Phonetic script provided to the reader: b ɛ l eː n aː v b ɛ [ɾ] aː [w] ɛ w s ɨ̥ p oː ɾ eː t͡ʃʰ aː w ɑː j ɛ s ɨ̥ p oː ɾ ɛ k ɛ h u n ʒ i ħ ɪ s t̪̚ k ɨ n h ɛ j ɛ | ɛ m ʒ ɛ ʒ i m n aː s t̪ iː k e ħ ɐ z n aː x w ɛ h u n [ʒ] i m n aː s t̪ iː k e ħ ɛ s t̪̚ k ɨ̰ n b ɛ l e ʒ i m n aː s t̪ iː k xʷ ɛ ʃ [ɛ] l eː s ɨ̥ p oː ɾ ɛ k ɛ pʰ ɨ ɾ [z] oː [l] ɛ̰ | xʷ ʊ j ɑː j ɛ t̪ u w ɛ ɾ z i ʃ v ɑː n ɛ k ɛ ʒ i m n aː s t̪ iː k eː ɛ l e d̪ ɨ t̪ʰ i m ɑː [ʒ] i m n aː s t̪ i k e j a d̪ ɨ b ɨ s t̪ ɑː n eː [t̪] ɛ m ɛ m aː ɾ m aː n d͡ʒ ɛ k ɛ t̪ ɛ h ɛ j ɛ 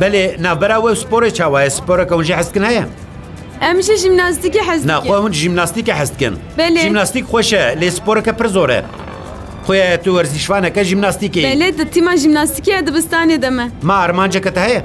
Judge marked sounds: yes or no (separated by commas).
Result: yes, yes, yes, yes, yes, no, yes, no